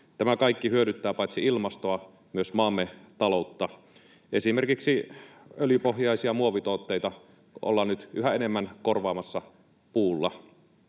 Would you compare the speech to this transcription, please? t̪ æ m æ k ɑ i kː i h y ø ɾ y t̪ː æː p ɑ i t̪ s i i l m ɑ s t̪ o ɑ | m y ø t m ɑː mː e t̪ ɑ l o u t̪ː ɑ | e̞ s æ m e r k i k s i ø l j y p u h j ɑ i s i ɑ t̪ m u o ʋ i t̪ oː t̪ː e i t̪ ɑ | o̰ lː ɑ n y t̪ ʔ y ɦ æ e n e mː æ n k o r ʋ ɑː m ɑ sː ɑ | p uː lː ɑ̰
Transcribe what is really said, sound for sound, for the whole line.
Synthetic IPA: t̪ æ m æ k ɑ i kː i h y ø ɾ y t̪ː æː p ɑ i t̪ s i i l m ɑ s t̪ o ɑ | m y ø s m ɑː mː e t̪ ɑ l o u t̪ː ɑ | e̞ s i m e r k i k s i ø l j y p o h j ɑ i s i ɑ m u o ʋ i t̪ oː t̪ː e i t̪ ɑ | o̰ lː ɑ n y t̪ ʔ y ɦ æ e n e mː æ n k o r ʋ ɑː m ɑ sː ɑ | p uː lː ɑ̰

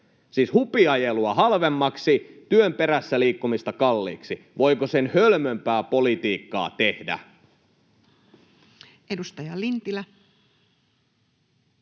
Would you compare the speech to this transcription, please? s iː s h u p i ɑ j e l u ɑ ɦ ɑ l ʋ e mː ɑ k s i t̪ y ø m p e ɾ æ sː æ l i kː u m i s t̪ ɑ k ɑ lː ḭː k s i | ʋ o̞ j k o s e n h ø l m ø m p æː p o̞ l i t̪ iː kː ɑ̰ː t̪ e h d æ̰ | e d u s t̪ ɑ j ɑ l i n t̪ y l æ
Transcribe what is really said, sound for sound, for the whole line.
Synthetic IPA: s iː s h u p i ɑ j e l u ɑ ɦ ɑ l ʋ e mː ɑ k s i t̪ y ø m p e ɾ æ sː æ l iː kː u m i s t̪ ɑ k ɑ lː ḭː k s i | ʋ o̞ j k o s e n h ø l m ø m p æː p o̞ l i t̪ iː kː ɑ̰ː t̪ e h d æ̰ | e d u s t̪ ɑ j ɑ l i n t̪ i l æ

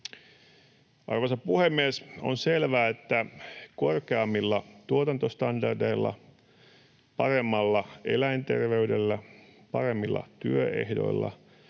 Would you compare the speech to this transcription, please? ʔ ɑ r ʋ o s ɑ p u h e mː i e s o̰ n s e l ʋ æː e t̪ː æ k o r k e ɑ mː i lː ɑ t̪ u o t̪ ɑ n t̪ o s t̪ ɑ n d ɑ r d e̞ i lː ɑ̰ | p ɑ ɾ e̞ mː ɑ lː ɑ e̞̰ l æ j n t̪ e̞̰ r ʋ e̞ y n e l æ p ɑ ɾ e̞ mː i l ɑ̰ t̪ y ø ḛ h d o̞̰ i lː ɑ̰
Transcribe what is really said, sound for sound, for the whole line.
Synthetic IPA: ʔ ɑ r ʋ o s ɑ p u h e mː i e s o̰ n s e l ʋ æː e t̪ː æ k o r k e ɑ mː i lː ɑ t̪ u o t̪ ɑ n t̪ o s t̪ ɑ n d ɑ r d e̞ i lː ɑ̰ | p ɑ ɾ e̞ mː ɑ lː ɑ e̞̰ l æ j n t̪ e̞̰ r ʋ e̞ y d e lː æ p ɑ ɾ e̞ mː i lː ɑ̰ t̪ y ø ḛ h d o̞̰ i lː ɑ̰

